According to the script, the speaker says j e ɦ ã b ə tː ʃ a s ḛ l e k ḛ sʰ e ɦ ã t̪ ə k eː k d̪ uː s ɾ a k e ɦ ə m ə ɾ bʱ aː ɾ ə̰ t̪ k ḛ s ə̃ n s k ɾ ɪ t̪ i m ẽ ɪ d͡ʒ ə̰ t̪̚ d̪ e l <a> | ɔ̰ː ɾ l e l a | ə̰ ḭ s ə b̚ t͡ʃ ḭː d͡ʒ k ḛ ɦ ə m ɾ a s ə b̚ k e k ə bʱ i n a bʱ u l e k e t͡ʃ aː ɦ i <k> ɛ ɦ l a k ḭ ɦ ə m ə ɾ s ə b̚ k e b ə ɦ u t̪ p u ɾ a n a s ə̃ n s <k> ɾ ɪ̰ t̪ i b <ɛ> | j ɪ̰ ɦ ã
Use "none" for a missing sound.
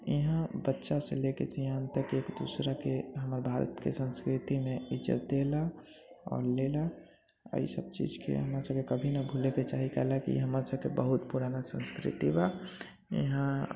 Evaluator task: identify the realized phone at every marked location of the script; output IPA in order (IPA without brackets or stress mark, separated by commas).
a, k, k, a